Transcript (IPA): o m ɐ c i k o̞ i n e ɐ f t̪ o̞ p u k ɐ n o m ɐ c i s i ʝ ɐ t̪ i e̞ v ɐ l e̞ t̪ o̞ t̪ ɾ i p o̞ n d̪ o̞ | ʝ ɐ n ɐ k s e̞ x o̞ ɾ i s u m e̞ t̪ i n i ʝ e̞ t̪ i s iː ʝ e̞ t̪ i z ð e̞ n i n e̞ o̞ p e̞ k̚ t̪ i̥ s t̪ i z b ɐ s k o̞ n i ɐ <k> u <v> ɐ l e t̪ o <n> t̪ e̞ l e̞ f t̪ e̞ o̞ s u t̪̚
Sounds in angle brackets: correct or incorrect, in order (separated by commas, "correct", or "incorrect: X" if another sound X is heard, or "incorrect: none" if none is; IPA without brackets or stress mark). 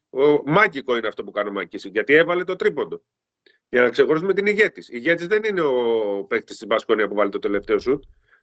incorrect: p, correct, incorrect: none